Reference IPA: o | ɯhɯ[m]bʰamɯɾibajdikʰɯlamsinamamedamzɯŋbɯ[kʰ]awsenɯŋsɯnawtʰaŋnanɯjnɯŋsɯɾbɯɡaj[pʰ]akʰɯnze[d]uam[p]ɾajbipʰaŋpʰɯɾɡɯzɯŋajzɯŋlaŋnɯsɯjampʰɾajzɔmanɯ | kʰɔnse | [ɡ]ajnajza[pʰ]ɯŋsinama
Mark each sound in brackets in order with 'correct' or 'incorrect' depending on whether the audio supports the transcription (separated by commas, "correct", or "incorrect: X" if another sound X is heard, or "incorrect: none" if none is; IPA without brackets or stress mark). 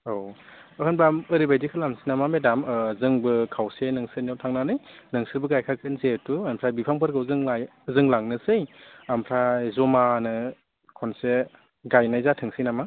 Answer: incorrect: n, correct, incorrect: kʰ, incorrect: t, incorrect: pʰ, correct, incorrect: tʰ